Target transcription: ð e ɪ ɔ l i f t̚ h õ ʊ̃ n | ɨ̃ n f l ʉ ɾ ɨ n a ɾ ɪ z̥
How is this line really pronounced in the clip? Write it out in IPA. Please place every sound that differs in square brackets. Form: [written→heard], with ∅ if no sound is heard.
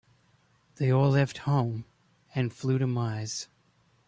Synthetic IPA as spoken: ð e ɪ ɔ l [i→ɛ] f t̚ h õ ʊ̃ [n→m] | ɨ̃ n f l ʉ ɾ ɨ [n→m] a [ɾ→∅] ɪ z̥